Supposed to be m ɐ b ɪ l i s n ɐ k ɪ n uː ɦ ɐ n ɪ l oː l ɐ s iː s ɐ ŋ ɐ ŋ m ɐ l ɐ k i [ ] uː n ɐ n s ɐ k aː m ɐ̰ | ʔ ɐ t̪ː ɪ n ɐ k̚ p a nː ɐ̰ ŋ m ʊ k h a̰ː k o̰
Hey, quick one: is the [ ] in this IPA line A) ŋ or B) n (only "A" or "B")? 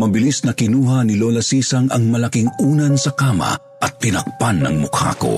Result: A